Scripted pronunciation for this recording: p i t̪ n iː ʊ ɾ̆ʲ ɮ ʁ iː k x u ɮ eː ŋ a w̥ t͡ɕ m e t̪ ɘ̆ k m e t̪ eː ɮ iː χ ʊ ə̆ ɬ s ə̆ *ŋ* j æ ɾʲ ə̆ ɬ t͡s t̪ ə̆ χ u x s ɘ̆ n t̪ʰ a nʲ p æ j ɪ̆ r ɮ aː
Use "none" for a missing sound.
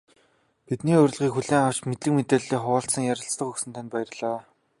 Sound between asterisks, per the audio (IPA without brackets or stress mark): ŋ